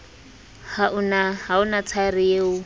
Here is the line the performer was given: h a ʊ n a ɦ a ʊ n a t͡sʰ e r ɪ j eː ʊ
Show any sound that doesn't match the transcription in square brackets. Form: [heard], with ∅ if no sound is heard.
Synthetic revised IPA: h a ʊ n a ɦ a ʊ n a t͡sʰ [a] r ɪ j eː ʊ